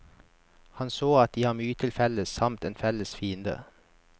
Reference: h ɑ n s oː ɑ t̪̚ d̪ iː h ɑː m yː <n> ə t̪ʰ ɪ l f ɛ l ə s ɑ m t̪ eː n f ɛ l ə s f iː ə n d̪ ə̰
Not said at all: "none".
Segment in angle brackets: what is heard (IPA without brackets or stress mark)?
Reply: none